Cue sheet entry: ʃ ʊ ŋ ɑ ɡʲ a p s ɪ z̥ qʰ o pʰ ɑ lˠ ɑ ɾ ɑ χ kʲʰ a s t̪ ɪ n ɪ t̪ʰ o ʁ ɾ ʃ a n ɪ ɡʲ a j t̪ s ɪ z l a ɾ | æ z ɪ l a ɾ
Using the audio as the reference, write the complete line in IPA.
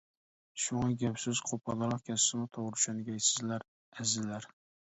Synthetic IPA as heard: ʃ ʊ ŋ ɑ ɡʲ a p s ɪ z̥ qʰ o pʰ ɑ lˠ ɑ ɾ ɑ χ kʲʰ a s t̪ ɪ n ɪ t̪ʰ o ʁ ɾ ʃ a n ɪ ɡʲ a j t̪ s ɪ z l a ɾ | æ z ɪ l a ɾ